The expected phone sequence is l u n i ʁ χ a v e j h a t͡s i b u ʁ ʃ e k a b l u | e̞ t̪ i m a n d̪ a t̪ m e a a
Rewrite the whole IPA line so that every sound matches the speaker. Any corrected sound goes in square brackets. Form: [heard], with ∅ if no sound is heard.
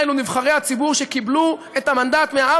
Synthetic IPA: l u n i [v] χ a [ʁ] e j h a t͡s i b u ʁ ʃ e k [i] b l u | e̞ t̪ [a] m a n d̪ a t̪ m e a a